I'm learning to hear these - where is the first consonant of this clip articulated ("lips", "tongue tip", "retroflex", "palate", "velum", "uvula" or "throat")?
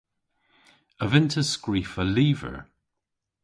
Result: lips